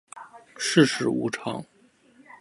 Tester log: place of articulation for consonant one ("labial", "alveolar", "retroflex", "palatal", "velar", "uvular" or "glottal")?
retroflex